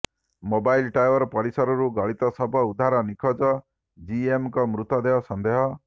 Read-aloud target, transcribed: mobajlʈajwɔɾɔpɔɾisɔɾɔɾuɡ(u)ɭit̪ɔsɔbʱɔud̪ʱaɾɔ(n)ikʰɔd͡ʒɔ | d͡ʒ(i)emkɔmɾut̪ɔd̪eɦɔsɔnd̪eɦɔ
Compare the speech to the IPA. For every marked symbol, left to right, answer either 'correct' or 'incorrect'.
incorrect: ɔ, correct, correct

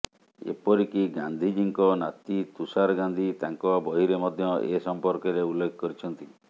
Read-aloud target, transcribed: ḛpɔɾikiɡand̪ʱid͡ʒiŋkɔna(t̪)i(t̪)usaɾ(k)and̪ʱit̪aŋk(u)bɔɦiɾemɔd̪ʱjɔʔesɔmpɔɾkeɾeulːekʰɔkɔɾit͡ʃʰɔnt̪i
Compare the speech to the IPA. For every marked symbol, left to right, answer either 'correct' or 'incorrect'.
correct, correct, incorrect: ɡ, incorrect: ɔ

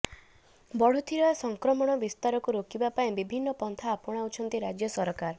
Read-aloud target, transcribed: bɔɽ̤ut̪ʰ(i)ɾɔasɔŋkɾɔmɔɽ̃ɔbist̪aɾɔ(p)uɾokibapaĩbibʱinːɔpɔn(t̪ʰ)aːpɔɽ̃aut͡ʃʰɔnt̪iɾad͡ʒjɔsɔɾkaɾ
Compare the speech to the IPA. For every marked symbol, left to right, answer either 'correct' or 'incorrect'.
correct, incorrect: k, correct

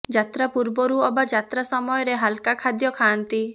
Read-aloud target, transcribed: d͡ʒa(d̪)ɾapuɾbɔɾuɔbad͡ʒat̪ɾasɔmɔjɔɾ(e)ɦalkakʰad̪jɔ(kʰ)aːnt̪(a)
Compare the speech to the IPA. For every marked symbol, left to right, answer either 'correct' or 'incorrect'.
incorrect: t̪, correct, correct, incorrect: i

